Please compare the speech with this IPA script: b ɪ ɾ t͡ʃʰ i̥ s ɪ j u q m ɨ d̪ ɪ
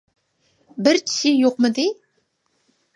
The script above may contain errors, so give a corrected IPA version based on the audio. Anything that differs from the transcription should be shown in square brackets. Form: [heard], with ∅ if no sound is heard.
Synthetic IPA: b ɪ ɾ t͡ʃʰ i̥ [ʃ] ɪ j [o] q m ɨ d̪ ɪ